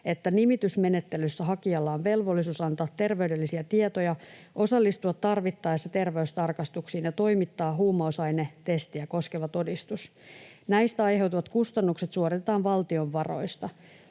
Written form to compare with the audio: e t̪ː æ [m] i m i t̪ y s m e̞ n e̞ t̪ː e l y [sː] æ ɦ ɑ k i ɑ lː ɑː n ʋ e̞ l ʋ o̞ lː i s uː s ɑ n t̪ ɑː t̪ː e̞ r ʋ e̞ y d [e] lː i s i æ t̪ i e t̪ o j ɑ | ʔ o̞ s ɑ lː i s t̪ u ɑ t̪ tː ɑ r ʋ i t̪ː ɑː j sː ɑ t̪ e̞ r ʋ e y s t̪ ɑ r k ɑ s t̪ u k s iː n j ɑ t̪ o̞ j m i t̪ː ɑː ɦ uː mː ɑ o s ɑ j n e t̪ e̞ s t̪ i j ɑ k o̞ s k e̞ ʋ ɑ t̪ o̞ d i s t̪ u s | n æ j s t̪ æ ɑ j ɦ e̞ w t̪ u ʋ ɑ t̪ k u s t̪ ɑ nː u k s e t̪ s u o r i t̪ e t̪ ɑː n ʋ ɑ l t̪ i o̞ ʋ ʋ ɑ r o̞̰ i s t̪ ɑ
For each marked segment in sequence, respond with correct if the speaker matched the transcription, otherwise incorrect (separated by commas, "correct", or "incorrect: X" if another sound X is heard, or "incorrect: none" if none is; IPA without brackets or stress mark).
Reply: incorrect: n, correct, correct